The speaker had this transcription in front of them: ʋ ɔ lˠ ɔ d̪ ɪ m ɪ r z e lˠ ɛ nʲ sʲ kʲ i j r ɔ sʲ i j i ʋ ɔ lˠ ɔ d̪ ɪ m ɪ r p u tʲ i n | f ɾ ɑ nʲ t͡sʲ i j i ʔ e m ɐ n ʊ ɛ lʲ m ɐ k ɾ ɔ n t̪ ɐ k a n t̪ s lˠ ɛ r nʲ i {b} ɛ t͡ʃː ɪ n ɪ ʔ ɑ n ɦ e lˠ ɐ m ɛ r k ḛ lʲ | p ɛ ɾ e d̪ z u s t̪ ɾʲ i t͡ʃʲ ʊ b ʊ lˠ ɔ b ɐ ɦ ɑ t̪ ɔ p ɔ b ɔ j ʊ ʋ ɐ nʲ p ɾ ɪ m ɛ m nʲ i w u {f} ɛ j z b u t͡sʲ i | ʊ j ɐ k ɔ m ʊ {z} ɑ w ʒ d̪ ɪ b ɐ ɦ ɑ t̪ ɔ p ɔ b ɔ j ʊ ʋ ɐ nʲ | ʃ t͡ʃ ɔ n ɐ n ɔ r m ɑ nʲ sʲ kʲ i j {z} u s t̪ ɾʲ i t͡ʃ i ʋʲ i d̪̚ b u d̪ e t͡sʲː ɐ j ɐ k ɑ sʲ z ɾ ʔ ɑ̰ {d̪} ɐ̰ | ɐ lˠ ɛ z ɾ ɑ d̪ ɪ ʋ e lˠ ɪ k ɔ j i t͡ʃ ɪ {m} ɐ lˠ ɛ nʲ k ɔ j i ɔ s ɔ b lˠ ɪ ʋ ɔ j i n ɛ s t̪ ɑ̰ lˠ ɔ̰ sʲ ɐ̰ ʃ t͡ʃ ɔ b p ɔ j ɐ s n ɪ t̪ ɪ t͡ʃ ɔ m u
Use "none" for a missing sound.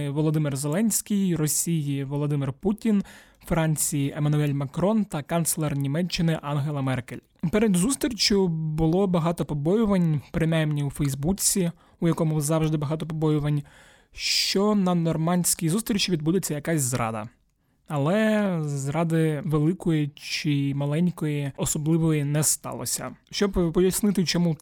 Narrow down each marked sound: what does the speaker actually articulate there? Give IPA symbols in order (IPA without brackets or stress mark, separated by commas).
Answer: m, f, z, z, d̪, m